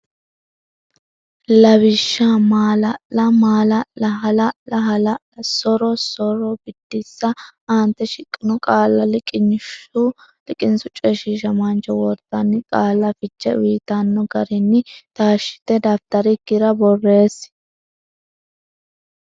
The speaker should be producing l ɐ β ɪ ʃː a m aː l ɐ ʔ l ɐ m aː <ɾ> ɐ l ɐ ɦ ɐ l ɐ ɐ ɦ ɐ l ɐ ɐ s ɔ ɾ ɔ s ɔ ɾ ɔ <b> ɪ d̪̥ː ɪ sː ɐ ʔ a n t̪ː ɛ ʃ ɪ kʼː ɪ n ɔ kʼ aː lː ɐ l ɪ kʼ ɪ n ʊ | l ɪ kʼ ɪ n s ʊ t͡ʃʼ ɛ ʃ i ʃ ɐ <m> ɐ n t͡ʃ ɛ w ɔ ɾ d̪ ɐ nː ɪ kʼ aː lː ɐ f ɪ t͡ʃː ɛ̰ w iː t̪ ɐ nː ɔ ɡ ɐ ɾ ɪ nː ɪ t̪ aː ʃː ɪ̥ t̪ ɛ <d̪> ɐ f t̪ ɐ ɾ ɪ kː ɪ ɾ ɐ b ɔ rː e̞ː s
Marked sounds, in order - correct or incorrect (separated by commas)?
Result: incorrect, correct, correct, correct